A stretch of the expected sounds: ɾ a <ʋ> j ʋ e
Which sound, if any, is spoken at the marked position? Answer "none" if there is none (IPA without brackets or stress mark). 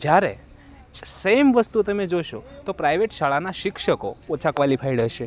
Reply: none